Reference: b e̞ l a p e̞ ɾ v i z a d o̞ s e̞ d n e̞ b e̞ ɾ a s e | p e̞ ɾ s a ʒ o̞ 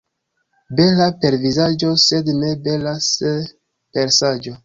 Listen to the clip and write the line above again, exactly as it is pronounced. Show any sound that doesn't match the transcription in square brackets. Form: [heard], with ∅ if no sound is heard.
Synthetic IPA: b e̞ l a p e̞ ɾ v i z a [d͡ʒ] o̞ s e̞ d n e̞ b e̞ [l] a s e | p e̞ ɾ s a [d͡ʒ] o̞

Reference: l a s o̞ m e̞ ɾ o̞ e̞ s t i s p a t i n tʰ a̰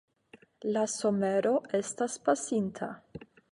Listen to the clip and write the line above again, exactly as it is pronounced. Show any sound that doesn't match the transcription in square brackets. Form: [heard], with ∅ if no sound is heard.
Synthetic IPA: l a s o̞ m e̞ ɾ o̞ e̞ s t [a] s p a [s] i n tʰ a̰

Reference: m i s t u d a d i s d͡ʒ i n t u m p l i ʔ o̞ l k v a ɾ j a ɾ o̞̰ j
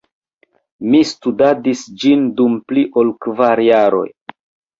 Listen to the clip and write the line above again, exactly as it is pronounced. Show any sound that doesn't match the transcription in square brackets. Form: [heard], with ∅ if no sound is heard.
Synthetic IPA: m i s t u d a d i s d͡ʒ i n [d] u m p l i ʔ o̞ l k v a ɾ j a ɾ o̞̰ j

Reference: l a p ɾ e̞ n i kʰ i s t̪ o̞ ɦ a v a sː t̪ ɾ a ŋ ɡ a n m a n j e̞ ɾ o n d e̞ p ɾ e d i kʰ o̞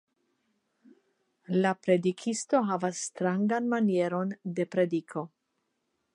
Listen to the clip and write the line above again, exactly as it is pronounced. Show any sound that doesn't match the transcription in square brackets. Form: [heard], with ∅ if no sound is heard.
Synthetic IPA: l a p ɾ e̞ [d] i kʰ i s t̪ o̞ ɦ a v a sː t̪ ɾ a ŋ ɡ a n m a n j e̞ ɾ o n d e̞ p ɾ e d i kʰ o̞

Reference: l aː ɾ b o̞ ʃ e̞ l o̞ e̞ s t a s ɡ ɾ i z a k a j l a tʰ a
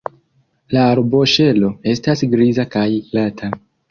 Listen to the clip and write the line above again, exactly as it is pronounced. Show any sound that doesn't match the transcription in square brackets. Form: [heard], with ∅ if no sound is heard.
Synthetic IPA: l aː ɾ b o̞ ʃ e̞ l o̞ e̞ s t a s ɡ ɾ i z a k a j l a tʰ a

